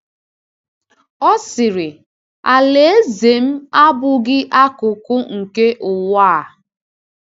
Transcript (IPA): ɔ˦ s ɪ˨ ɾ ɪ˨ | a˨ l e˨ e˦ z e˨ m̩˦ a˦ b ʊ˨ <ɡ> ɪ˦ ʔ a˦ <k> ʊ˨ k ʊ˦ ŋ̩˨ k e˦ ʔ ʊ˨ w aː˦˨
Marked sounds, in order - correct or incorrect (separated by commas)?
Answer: correct, correct